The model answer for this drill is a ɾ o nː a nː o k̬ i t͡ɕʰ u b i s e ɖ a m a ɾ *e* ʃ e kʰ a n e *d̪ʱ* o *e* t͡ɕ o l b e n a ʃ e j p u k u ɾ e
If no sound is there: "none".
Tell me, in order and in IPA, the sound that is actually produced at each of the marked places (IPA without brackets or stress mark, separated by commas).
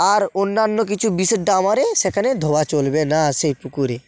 e, d̪ʱ, a